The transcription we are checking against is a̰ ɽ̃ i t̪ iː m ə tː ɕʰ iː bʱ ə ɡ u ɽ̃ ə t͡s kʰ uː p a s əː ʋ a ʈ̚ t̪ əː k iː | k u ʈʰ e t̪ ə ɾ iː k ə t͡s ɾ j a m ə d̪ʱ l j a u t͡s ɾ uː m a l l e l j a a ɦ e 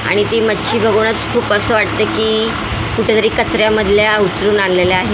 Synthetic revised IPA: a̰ ɽ̃ i t̪ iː m ə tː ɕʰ iː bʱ ə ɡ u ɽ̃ ə t͡s kʰ uː p ə s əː ʋ a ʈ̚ t̪ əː k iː | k u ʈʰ e t̪ ə ɾ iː k ə t͡s ɾ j a m ə d̪ʱ l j a u t͡s ɾ uː n a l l e l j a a ɦ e